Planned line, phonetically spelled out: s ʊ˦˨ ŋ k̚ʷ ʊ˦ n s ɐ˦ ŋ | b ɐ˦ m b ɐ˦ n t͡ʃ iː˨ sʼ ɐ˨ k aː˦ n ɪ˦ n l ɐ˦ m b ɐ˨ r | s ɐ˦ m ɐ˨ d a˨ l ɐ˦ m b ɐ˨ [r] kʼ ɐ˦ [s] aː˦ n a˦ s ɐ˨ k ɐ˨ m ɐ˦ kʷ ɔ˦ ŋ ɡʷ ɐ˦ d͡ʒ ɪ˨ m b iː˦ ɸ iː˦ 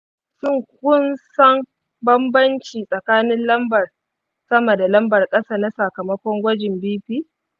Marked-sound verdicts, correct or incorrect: correct, correct

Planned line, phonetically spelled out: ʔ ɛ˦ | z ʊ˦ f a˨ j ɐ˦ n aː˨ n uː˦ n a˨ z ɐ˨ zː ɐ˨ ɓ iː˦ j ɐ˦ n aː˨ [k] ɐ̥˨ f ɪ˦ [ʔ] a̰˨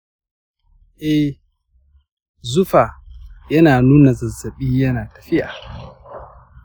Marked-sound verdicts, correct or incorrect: incorrect, correct

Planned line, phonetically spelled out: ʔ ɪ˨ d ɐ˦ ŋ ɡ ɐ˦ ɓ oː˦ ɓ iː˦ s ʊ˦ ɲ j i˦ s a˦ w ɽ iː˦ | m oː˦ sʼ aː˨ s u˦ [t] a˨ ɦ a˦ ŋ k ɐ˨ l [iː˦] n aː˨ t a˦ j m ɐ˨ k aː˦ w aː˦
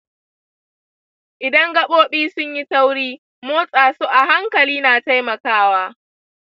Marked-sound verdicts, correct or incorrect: incorrect, correct

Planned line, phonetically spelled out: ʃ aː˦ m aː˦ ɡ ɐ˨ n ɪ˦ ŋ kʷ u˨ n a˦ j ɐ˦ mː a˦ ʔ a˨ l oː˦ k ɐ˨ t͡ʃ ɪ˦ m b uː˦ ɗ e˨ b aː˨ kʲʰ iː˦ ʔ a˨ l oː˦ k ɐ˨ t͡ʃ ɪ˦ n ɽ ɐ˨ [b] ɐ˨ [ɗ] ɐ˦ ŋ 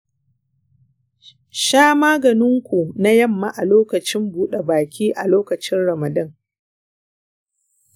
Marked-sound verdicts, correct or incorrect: incorrect, incorrect

